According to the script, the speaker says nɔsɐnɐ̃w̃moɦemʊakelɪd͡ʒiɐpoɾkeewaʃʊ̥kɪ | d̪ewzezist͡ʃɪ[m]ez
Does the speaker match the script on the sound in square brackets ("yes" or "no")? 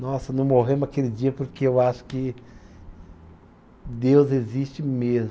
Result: yes